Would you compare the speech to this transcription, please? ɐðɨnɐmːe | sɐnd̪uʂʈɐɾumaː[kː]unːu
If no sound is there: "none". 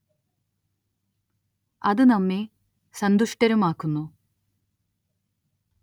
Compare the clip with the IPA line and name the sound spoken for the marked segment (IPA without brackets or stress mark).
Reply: kː